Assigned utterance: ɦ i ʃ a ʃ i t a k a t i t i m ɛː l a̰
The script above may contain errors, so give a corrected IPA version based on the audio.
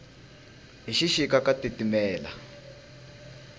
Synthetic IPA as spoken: ɦ i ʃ i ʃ i k a k a t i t i m ɛː l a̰

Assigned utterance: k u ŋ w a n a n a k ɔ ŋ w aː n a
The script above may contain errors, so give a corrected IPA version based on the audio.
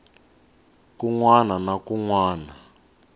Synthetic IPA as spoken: k u ŋ w a n a n a k u ŋ w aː n a

